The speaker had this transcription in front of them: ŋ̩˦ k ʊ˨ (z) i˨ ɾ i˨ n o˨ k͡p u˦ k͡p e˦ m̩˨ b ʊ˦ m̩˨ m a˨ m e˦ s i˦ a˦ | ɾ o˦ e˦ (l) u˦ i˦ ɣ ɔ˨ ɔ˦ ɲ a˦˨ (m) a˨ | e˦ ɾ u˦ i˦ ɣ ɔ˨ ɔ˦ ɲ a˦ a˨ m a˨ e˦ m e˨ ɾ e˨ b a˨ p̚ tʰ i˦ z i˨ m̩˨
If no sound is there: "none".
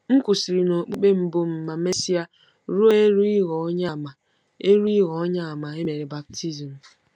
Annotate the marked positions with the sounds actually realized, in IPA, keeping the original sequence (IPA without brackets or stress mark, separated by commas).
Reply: s, ɾ, m